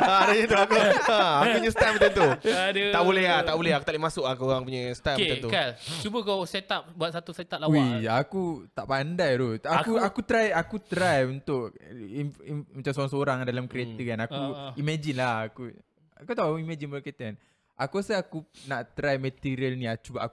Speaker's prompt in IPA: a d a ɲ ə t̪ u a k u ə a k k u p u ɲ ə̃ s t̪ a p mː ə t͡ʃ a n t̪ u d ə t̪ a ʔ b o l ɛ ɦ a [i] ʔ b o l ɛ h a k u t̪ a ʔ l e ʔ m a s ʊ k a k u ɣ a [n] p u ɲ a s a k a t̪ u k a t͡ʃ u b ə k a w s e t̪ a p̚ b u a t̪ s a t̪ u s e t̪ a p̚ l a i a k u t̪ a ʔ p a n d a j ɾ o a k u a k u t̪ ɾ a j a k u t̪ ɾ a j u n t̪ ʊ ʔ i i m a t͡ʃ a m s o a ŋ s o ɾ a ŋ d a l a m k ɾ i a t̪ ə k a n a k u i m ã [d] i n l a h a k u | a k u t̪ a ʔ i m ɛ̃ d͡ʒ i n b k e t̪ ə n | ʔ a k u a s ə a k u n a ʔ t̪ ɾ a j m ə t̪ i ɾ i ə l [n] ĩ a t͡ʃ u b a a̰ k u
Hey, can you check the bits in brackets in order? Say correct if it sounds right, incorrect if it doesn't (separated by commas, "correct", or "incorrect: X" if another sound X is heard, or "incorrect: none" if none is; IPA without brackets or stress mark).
incorrect: a, incorrect: ŋ, incorrect: d͡ʒ, correct